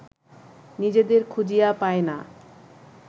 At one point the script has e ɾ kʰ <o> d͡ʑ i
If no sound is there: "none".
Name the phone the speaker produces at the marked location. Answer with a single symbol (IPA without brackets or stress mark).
u